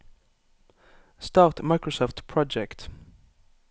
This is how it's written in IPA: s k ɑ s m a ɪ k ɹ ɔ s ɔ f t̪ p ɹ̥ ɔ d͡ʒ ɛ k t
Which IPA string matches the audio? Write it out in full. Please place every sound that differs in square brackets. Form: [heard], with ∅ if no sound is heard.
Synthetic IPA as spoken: s [t] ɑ [t] m a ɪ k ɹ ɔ s ɔ f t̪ [pʰ] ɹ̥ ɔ d͡ʒ ɛ k t